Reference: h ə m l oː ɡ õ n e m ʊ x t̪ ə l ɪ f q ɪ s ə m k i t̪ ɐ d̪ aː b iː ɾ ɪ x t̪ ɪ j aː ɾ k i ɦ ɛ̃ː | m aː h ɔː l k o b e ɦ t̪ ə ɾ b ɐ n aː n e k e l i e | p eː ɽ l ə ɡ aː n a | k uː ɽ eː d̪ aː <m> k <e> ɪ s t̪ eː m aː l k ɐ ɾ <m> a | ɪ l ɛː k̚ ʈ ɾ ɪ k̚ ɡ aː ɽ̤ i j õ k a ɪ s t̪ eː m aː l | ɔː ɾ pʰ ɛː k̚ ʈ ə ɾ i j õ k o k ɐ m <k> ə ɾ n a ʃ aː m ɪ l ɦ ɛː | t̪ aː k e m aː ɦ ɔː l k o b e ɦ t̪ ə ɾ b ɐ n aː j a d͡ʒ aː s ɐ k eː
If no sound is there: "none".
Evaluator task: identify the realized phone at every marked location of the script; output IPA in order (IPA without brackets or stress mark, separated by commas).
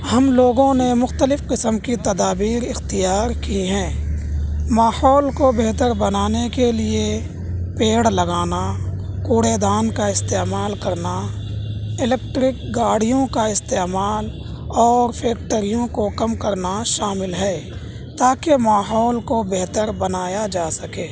n, a, n, k